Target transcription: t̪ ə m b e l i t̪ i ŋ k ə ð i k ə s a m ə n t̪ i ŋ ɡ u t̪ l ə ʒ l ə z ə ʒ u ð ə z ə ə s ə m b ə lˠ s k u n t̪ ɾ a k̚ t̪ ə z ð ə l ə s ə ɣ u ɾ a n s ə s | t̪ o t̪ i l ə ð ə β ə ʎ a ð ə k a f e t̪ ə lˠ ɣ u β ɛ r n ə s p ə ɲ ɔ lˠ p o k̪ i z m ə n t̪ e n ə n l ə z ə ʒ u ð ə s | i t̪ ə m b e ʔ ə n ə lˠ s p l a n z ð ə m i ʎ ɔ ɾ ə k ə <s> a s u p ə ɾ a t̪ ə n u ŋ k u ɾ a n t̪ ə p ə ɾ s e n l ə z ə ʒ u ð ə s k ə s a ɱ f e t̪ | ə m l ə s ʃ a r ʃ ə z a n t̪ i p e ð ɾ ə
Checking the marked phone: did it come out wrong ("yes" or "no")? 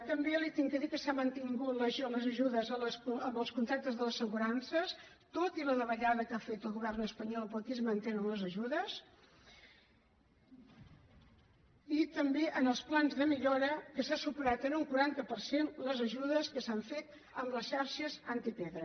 no